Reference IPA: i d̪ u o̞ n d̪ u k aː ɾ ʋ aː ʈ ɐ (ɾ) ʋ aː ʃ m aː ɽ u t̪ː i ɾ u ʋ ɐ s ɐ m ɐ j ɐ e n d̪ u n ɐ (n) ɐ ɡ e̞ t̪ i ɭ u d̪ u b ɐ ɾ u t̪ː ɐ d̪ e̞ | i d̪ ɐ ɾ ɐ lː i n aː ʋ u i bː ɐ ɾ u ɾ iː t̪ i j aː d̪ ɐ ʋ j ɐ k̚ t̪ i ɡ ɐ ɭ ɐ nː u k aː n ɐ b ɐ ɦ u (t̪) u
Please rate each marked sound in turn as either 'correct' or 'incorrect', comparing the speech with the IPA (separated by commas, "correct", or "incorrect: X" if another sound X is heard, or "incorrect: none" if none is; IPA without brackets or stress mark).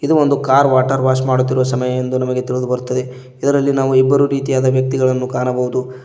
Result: correct, incorrect: m, incorrect: d̪